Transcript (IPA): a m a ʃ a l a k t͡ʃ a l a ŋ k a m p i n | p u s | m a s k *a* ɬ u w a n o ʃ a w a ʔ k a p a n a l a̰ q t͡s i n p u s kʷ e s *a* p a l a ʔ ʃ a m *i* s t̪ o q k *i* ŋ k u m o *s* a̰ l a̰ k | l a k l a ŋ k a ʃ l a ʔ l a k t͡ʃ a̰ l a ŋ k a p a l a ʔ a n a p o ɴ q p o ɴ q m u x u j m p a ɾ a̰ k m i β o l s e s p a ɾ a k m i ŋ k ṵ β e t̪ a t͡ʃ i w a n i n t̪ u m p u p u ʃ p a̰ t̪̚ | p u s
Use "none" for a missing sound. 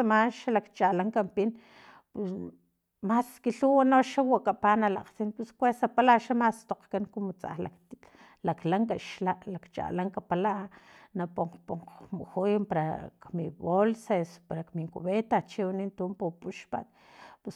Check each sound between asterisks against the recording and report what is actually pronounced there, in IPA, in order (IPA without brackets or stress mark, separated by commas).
i, a, a, a, t͡s